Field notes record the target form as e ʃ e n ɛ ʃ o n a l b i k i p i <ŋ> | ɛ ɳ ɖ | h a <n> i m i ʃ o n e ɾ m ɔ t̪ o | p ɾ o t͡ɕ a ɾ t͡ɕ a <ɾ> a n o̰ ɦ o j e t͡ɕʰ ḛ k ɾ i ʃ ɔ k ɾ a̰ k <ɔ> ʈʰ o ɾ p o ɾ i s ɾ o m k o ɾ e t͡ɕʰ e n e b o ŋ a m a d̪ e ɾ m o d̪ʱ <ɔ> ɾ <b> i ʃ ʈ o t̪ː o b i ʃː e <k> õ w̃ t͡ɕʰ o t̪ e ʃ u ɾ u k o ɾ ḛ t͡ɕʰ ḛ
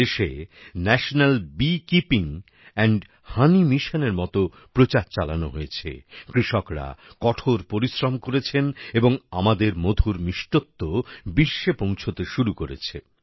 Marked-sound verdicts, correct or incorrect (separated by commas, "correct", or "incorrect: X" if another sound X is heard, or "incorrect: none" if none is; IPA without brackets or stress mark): correct, correct, incorrect: l, correct, incorrect: u, incorrect: m, incorrect: p